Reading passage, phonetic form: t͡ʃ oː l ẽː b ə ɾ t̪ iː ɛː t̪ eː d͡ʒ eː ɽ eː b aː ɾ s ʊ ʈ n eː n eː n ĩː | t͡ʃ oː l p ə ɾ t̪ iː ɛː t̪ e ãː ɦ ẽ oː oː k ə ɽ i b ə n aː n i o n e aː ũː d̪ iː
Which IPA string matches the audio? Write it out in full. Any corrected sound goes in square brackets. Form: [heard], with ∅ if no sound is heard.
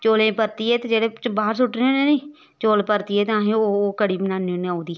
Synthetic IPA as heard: t͡ʃ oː l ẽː [p] ə ɾ t̪ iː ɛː t̪ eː d͡ʒ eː ɽ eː b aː ɾ s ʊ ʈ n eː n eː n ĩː | t͡ʃ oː l p ə ɾ t̪ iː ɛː t̪ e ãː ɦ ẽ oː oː k ə ɽ [iː] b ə n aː n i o n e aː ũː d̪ iː